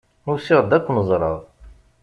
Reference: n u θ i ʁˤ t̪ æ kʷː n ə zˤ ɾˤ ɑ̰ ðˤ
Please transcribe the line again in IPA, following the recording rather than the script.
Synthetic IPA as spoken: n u s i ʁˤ d̪ æ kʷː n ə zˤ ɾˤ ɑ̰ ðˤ